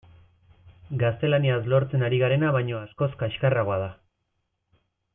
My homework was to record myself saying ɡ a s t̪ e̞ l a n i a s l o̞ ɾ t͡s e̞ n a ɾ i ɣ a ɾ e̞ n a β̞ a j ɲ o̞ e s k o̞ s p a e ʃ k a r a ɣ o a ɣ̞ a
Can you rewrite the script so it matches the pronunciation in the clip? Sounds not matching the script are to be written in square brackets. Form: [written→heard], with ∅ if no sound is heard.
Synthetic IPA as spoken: ɡ a s t̪ e̞ l a n i a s l o̞ ɾ t͡s e̞ n a ɾ i ɣ a ɾ e̞ n a β̞ a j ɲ o̞ [e→a] s k o̞ s [p→k] a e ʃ k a r a ɣ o a [ɣ̞→ð̞] a